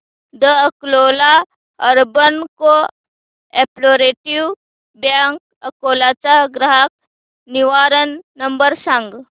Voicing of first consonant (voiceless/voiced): voiced